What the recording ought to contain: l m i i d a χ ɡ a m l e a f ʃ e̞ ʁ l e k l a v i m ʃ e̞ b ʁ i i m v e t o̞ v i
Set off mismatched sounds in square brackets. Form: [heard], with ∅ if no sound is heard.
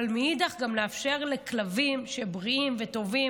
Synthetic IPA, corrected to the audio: l m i i d a χ ɡ a m l e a f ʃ e̞ ʁ l e k l a v i m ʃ e̞ b ʁ i i m v e t o̞ v i